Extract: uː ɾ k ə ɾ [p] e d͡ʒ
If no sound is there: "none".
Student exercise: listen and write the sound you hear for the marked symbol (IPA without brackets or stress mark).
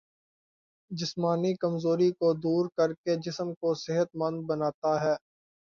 k